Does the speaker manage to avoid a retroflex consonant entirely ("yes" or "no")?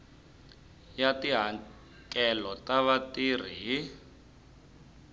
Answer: yes